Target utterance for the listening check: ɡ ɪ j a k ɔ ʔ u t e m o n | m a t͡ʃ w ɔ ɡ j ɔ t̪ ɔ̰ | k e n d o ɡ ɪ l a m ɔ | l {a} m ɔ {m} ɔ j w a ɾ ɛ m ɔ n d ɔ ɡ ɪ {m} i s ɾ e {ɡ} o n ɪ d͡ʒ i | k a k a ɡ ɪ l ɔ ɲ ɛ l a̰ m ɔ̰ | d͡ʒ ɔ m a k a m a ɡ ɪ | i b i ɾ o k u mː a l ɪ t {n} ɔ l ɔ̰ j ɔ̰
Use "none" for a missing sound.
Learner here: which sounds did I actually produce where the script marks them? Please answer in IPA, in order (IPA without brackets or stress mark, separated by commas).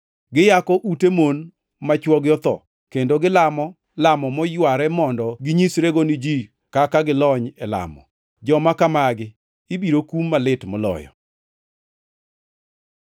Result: a, m, ɲ, ɡ, m